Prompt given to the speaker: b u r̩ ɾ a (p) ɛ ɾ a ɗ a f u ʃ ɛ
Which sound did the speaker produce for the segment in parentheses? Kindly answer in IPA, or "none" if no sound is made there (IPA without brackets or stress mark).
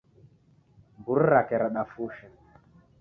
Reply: k